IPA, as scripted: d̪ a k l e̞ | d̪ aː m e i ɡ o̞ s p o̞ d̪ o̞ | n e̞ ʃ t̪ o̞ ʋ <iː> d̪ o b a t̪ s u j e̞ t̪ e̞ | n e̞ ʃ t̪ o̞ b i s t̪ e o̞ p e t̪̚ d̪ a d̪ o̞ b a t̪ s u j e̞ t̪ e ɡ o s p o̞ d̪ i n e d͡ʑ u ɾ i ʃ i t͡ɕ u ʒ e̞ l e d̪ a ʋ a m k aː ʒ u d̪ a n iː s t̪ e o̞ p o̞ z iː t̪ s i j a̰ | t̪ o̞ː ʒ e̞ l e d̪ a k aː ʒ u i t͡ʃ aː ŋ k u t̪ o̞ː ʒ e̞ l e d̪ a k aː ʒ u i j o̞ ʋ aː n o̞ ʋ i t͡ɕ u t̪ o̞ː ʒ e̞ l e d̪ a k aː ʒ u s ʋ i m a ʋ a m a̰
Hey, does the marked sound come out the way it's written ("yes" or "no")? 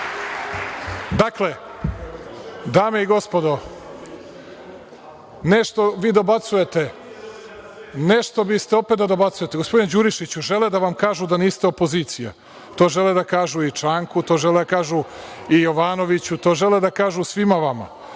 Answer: yes